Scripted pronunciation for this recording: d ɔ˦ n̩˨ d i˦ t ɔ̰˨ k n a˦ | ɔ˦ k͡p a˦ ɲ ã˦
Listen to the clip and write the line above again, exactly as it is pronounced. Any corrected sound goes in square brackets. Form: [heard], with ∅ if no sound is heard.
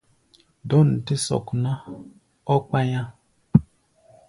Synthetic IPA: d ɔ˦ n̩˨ [t] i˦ [s] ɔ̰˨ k n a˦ | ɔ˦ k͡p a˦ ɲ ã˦